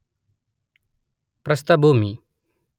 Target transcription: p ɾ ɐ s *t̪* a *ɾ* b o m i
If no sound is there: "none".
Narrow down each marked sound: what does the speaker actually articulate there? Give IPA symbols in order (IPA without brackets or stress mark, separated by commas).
t̪, none